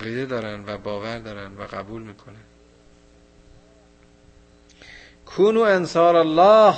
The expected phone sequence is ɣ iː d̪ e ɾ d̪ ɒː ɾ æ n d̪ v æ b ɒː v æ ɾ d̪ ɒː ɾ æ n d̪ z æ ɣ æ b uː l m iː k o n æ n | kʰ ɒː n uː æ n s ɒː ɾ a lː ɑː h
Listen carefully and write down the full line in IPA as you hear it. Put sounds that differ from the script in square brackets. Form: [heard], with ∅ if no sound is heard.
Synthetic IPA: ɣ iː d̪ e [∅] d̪ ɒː ɾ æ n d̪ v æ b ɒː v æ ɾ d̪ ɒː ɾ æ n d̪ [v] æ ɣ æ b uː l m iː [kʰ] o n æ n | kʰ [uː] n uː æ n s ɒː ɾ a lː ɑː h